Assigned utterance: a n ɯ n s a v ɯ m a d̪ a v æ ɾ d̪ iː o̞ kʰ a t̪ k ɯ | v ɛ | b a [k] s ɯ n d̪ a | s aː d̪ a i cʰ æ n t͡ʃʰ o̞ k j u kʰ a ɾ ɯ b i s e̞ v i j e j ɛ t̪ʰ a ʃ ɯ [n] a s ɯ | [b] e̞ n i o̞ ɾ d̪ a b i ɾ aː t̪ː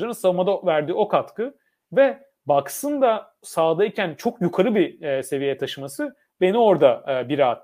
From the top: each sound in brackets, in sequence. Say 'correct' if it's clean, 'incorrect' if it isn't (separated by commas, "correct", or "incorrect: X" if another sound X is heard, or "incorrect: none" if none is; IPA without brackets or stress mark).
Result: correct, incorrect: m, correct